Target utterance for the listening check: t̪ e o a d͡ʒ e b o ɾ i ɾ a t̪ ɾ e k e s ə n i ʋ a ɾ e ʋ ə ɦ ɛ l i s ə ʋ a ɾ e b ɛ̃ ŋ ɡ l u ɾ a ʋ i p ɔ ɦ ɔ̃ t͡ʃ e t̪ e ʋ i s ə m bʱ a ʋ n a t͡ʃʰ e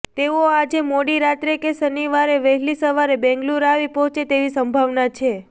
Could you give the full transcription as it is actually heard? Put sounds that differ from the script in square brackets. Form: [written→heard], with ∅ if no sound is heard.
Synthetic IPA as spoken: t̪ e o a d͡ʒ e [b→m] o [ɾ→ɽ] i ɾ a t̪ ɾ e k e s ə n i ʋ a ɾ e ʋ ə ɦ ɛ l i s ə ʋ a ɾ e b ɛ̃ ŋ ɡ l u ɾ a ʋ i p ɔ ɦ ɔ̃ t͡ʃ e t̪ e ʋ i s ə m bʱ a ʋ n a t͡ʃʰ e